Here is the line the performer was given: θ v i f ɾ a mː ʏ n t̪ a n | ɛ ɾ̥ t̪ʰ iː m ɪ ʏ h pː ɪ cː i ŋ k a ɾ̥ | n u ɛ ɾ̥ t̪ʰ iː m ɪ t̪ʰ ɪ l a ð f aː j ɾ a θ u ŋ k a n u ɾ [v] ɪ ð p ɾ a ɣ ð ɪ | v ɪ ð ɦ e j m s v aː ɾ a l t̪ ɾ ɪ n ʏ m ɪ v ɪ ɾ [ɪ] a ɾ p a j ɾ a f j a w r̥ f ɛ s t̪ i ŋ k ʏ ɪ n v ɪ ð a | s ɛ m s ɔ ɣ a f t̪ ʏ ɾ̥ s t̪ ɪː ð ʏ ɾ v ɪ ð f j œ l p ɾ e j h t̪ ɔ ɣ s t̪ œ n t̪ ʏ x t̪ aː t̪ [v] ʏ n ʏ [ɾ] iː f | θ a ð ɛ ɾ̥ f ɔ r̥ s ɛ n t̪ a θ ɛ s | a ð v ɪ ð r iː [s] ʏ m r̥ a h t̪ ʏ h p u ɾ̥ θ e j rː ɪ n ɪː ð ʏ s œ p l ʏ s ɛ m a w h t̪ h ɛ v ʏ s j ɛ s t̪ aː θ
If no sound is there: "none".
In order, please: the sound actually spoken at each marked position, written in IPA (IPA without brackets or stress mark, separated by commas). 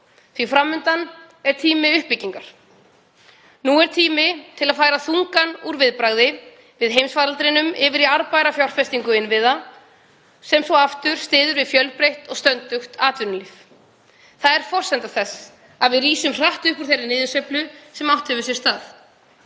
v, i, v, l, s